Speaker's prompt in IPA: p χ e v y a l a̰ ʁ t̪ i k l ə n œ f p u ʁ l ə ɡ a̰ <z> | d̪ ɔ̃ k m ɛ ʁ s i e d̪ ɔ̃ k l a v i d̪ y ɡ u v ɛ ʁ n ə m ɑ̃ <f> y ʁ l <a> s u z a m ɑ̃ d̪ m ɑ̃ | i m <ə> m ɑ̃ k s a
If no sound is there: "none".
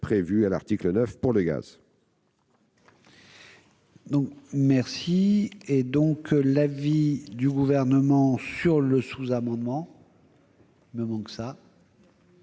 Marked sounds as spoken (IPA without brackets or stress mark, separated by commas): z, s, ə, ə